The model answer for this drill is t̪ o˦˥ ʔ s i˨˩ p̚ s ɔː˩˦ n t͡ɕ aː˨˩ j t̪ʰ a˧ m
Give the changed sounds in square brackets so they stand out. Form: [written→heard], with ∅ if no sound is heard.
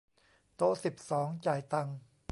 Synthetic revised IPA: t̪ o˦˥ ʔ s i˨˩ p̚ s ɔː˩˦ [n→ŋ] t͡ɕ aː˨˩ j [t̪ʰ→t̪] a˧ [m→ŋ]